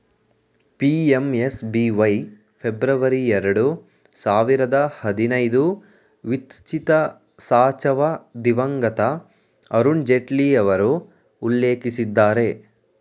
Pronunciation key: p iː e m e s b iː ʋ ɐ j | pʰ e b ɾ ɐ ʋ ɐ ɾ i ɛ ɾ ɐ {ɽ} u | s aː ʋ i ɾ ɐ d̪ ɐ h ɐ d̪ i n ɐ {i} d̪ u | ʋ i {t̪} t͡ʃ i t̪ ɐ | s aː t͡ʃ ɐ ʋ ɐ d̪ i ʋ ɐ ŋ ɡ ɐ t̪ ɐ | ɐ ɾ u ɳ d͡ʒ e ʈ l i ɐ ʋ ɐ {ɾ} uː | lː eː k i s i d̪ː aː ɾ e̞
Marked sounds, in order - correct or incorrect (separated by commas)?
correct, incorrect, correct, correct